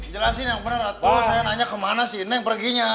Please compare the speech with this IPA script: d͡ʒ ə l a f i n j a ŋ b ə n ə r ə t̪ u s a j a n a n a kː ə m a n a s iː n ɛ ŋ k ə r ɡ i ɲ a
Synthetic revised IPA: d͡ʒ ə l a s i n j a ŋ b ə n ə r a t̪ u s a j a n a ɲ a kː ə m a n a s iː n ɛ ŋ p ə r ɡ i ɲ a